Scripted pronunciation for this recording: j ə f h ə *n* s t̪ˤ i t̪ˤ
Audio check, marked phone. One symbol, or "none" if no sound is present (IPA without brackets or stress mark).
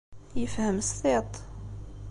m